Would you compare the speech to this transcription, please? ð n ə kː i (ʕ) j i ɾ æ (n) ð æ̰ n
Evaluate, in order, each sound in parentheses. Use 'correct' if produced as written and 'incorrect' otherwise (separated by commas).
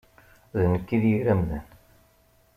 incorrect, incorrect